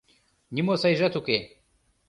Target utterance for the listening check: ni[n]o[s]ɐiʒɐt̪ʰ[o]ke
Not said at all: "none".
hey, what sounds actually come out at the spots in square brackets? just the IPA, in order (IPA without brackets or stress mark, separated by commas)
m, s, u